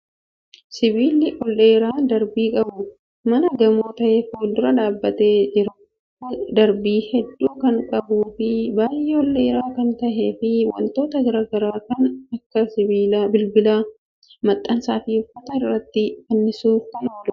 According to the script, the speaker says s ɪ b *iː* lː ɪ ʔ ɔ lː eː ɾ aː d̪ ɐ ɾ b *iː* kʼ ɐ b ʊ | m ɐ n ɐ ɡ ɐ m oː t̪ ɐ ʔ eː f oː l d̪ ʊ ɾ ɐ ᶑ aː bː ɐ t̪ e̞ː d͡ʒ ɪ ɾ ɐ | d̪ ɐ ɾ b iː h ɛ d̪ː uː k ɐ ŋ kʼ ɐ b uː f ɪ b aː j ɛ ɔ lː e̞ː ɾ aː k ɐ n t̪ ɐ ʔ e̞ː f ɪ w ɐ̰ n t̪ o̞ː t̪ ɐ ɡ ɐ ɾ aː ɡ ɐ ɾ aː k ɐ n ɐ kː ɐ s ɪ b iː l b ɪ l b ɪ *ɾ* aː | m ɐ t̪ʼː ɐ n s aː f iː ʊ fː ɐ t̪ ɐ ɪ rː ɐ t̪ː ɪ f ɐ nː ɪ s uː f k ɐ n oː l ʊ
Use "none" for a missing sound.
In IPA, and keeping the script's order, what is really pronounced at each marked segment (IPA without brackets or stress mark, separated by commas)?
iː, iː, l